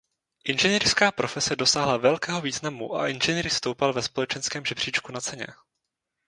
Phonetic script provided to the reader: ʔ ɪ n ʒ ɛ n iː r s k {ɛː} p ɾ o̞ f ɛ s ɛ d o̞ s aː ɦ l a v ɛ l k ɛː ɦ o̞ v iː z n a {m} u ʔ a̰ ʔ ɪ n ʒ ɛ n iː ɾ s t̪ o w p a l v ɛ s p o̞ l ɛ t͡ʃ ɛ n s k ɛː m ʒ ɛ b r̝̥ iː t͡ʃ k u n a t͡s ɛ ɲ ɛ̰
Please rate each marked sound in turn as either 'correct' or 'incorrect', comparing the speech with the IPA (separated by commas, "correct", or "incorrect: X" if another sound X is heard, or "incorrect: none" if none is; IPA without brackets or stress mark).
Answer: incorrect: aː, correct